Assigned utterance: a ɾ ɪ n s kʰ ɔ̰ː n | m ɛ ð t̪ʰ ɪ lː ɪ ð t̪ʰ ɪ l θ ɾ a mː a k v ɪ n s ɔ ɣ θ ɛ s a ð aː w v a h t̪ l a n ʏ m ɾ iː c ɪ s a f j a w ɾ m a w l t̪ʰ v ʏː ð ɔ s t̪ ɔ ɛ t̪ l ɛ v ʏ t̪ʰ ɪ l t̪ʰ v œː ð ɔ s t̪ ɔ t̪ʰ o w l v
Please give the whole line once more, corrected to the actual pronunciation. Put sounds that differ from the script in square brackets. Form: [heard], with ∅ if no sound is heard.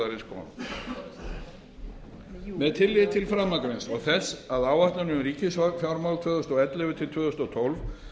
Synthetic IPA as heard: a ɾ ɪ n s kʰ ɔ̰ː n | m ɛ ð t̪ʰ ɪ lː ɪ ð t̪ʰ ɪ l [f] ɾ a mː a k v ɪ n s ɔ ɣ θ ɛ s a ð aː w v a h t̪ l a n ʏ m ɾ iː c ɪ s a f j a w ɾ m a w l t̪ʰ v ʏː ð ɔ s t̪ ɔ ɛ t̪ l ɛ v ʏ t̪ʰ ɪ l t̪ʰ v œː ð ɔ s t̪ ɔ t̪ʰ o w l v